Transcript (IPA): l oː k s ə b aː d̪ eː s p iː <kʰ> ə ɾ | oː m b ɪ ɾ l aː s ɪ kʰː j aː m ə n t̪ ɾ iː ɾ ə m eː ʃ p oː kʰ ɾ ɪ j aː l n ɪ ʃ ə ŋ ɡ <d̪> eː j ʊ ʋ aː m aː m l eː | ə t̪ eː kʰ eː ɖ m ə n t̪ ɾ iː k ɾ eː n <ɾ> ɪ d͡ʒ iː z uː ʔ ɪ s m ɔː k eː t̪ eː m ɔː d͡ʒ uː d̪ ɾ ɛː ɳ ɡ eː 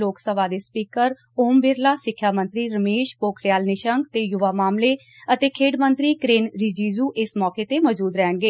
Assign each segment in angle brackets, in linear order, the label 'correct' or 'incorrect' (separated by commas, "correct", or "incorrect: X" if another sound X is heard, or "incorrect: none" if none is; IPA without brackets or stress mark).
incorrect: k, incorrect: t̪, correct